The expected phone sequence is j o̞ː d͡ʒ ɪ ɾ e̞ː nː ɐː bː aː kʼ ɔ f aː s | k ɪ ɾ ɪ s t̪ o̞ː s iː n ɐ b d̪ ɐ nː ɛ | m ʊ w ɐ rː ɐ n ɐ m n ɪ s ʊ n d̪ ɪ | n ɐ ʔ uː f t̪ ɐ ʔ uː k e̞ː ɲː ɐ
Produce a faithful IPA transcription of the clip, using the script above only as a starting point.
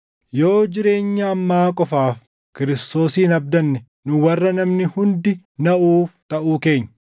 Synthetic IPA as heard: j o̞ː d͡ʒ ɪ ɾ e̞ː ɲː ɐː mː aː kʼ ɔ f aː f | k ɪ ɾ ɪ s t̪ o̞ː s iː n ɐ b d̪ ɐ nː ɛ | n ʊ w ɐ rː ɐ n ɐ m n ɪ h ʊ n d̪ ɪ | n ɐ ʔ uː f t̪ ɐ ʔ uː k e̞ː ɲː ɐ